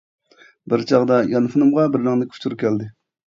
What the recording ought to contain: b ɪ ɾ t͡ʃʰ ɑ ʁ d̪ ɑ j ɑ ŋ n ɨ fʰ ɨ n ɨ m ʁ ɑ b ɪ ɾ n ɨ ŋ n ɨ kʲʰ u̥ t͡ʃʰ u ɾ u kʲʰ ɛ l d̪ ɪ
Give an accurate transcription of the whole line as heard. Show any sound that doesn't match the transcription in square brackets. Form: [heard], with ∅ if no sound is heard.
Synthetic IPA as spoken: b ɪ ɾ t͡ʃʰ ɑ ʁ d̪ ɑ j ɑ [∅] n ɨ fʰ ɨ n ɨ m ʁ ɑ b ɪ ɾ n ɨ ŋ n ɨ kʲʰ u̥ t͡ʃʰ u ɾ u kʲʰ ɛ l d̪ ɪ